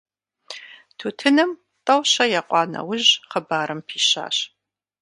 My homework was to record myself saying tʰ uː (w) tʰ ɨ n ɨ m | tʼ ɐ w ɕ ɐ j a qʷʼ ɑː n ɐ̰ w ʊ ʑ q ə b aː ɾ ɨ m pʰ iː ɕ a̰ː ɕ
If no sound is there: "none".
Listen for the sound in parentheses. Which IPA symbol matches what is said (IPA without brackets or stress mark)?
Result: none